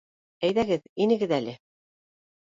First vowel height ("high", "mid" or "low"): low